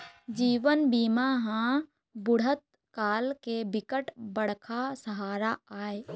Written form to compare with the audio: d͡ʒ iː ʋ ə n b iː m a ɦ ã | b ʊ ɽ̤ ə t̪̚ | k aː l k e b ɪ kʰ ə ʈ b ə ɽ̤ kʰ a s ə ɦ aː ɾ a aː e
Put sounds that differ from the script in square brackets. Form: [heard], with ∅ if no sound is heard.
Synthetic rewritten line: d͡ʒ iː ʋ ə n b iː m a ɦ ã | b ʊ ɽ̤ ə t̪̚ | k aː l k e b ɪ [k] ə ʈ b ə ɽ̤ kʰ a s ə ɦ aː ɾ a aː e